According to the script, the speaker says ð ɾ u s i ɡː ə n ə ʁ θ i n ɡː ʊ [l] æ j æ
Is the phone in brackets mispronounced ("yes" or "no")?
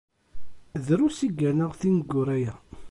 yes